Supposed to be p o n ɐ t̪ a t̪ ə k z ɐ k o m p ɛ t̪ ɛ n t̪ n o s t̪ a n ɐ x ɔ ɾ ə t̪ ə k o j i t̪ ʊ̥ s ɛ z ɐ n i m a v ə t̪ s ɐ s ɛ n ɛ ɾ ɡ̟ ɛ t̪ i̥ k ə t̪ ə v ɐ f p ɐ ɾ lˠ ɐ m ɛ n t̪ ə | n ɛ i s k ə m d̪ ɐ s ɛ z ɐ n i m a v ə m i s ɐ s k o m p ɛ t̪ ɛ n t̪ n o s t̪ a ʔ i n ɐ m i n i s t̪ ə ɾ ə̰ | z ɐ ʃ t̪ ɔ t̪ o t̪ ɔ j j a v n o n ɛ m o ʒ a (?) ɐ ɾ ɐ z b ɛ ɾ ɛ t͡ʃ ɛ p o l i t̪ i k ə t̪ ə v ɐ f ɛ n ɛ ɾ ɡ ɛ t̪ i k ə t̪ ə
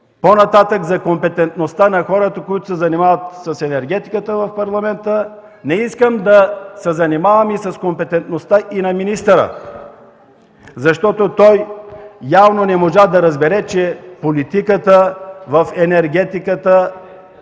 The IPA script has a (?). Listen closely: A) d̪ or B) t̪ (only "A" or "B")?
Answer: A